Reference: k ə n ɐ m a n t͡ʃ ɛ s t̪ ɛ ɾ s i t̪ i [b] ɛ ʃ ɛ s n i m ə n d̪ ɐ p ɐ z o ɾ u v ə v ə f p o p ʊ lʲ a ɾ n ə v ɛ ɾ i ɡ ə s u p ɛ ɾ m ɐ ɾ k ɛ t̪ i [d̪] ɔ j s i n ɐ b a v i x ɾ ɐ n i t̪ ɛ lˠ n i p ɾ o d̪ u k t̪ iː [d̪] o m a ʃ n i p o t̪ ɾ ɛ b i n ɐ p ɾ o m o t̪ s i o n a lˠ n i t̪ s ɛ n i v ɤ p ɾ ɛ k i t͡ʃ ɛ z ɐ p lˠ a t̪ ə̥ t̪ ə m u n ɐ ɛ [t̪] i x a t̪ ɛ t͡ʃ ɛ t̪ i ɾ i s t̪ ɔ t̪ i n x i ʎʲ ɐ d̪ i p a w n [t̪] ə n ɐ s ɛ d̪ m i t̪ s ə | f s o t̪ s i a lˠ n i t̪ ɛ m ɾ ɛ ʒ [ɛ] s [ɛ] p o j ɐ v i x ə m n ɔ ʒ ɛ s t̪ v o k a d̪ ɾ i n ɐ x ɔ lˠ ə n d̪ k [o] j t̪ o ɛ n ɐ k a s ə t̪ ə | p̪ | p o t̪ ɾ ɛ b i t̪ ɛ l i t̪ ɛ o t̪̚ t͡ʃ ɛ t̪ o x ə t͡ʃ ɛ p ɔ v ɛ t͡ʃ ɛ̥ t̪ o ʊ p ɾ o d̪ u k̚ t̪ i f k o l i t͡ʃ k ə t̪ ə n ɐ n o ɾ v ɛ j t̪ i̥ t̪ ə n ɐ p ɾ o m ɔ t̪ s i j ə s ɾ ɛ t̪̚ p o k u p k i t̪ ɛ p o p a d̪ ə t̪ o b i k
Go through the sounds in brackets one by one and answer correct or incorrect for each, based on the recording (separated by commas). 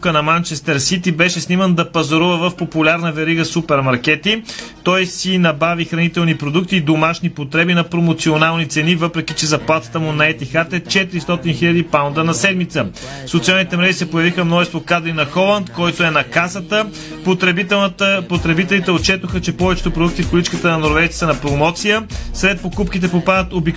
correct, incorrect, correct, correct, incorrect, incorrect, correct, incorrect